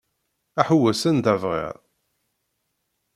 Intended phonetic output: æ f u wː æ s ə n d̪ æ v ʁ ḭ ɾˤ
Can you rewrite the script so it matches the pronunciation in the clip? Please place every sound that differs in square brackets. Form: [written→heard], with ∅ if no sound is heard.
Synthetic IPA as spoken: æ [f→ħ] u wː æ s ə n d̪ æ v ʁ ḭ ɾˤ

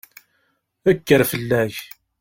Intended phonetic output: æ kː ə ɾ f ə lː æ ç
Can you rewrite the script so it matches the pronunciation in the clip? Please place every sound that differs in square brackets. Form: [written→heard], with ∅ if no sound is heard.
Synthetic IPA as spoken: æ kː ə ɾ f ə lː æ ç

